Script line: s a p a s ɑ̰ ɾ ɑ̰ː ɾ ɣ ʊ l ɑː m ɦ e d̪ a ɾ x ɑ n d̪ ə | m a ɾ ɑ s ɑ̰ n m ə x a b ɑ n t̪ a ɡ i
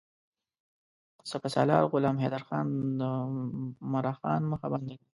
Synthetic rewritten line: s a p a s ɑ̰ l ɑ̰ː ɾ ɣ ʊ l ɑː m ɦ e d̪ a ɾ x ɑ n d̪ ə | m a ɾ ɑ x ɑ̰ n m ə x a b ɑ n d̪ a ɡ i